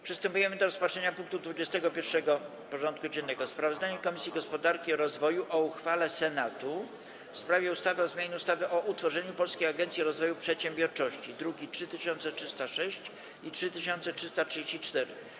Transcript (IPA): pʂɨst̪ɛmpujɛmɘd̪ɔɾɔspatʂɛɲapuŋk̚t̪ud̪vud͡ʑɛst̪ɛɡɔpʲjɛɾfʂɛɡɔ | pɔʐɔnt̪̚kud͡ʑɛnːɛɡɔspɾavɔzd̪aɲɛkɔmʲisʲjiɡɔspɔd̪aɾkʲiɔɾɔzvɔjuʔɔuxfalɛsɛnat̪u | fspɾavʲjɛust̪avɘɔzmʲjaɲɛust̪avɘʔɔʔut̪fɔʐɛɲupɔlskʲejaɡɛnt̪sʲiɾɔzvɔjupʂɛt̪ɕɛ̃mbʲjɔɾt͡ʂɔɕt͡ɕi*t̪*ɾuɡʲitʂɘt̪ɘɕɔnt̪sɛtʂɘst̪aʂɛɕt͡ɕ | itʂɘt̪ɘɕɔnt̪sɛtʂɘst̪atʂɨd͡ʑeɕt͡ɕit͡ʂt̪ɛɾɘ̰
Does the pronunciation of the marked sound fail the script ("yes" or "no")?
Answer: yes